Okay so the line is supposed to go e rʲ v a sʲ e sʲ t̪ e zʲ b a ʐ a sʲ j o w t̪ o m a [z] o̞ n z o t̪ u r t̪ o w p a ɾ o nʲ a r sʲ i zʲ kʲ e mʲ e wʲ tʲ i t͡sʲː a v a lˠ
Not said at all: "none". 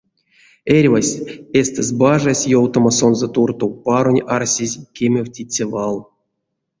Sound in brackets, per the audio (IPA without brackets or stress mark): s